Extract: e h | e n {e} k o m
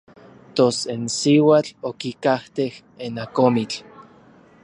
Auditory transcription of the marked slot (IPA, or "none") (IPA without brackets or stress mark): a